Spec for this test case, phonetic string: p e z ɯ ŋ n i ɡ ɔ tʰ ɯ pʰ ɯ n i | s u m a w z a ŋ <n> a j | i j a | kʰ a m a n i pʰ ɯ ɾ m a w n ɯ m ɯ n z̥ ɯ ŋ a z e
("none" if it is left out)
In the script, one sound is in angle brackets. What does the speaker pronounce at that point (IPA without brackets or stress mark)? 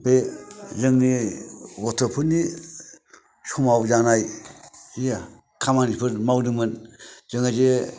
n